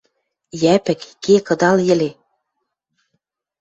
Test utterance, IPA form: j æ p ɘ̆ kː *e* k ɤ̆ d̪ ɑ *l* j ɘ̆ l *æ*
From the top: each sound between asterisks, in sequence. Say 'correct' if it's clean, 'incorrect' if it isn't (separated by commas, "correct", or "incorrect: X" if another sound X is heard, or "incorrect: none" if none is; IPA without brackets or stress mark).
correct, correct, incorrect: e